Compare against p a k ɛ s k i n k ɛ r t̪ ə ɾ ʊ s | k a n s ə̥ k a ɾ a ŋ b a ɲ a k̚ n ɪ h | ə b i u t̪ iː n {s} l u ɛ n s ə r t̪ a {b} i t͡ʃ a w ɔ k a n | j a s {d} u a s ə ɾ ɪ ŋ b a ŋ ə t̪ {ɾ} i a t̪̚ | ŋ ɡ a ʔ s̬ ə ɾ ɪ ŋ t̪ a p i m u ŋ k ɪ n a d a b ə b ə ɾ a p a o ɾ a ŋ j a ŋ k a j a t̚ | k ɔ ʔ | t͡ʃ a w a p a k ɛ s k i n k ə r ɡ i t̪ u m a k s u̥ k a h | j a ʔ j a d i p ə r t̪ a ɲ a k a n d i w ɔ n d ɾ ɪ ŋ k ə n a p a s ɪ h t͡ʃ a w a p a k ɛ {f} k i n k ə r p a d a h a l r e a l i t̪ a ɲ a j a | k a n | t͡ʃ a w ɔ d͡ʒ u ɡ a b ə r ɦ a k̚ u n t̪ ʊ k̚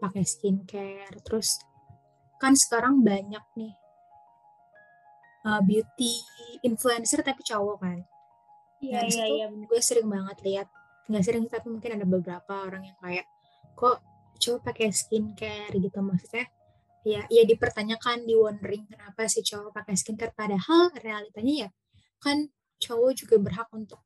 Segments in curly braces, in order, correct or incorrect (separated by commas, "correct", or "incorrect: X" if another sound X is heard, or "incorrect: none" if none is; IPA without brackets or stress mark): incorrect: f, incorrect: p, incorrect: ɡ, incorrect: l, incorrect: s